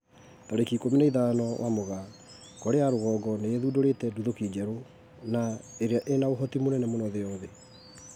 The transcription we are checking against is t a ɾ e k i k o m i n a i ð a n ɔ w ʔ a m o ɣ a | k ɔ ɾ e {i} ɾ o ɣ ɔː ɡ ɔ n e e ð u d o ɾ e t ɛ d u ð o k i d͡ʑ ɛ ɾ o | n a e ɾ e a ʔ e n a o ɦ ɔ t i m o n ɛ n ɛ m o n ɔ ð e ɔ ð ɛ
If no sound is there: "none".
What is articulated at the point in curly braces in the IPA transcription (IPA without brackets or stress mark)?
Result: a